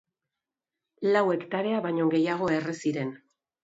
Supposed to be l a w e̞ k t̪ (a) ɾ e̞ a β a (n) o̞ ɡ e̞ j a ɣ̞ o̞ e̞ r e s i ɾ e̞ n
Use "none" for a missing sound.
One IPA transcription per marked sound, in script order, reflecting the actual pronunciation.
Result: a, ɲ

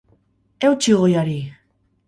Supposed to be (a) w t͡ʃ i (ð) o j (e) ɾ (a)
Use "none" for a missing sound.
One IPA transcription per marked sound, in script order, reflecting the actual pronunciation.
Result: e, ɣ, a, i

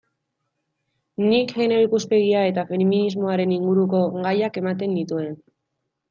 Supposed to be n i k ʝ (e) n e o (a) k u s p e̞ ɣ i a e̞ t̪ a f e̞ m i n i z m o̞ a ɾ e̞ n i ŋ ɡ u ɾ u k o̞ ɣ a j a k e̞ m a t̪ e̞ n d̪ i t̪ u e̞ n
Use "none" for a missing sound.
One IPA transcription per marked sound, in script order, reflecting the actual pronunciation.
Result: e, i

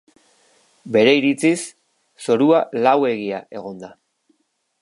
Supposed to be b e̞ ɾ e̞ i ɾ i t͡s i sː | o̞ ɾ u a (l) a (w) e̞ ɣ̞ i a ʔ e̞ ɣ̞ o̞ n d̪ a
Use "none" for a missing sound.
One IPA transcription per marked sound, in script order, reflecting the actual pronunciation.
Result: l, w

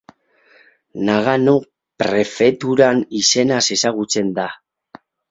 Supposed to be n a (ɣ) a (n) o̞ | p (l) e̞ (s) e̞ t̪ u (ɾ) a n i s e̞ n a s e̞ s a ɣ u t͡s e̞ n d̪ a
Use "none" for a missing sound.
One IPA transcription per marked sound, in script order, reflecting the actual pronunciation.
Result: ɣ, n, ɾ, f, ɾ

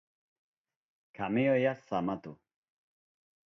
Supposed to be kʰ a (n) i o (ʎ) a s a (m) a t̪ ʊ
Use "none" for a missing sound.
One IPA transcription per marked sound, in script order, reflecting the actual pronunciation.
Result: m, j, m

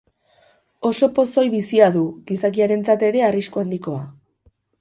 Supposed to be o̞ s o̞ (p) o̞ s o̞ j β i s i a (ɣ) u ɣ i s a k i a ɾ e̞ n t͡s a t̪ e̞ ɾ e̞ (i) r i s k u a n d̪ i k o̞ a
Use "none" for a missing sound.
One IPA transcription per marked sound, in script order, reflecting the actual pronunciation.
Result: p, ð, a

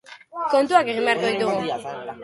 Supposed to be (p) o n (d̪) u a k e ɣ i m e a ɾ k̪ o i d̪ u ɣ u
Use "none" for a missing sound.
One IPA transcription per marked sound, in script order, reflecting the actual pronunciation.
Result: k, t̪

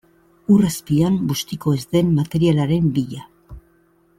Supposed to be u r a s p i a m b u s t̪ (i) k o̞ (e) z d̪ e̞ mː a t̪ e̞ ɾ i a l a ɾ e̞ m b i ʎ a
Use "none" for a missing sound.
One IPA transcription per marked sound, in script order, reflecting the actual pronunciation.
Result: i, e

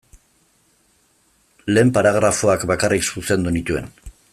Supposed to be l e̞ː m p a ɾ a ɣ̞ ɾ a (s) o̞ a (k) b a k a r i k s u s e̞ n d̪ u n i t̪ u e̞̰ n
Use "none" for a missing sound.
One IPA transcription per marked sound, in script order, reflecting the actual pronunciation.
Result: f, k

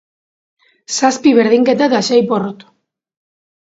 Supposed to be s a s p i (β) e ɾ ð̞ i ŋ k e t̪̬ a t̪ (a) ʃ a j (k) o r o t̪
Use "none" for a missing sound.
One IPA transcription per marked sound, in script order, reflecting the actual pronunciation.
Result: β, a, p

